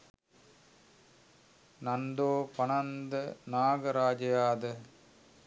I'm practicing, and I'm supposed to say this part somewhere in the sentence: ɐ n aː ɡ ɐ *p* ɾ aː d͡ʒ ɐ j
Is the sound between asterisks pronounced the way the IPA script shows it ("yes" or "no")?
no